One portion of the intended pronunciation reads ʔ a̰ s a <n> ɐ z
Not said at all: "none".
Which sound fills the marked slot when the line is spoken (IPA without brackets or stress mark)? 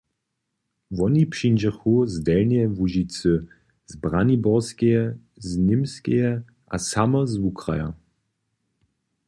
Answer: m